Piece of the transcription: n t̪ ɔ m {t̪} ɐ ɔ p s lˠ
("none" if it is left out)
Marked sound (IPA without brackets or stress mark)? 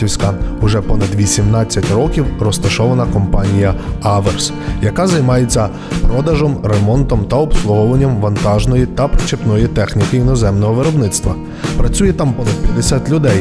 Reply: t̪